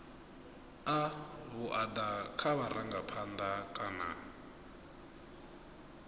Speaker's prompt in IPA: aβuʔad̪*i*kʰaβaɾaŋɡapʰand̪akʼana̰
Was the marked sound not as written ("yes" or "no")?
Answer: yes